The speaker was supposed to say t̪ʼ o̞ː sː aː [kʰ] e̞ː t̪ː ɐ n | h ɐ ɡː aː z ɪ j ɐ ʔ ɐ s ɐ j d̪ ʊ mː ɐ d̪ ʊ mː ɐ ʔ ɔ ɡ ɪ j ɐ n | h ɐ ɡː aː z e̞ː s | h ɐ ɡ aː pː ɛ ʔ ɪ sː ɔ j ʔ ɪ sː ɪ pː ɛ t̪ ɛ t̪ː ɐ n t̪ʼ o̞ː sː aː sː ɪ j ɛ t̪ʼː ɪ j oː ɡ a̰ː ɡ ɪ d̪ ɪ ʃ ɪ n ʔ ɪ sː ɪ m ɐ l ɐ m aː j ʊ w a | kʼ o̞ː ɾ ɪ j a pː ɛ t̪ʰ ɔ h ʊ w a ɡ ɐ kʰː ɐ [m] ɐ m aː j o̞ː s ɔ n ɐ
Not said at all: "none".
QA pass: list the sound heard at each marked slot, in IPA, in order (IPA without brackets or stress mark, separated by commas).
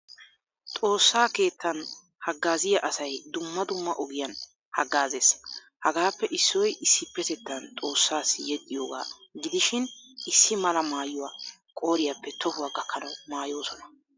k, n